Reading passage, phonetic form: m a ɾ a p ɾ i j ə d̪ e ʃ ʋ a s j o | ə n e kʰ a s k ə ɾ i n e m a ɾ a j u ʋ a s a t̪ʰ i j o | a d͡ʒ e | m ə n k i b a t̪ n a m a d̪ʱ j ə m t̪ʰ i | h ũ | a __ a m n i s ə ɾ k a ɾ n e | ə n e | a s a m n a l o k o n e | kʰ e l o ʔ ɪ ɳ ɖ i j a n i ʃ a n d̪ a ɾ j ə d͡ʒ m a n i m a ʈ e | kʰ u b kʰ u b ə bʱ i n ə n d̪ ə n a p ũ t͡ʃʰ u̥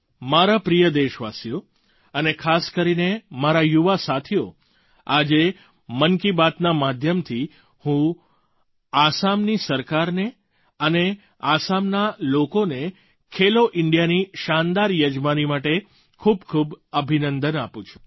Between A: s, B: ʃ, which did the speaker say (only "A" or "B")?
A